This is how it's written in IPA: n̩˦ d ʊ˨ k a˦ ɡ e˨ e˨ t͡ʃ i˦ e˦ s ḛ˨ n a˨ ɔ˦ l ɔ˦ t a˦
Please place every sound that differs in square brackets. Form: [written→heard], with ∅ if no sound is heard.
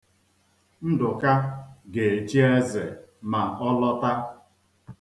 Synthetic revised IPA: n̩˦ d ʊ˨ k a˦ ɡ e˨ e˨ t͡ʃ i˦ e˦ [s→z] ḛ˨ [n→m] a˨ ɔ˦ l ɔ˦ t a˦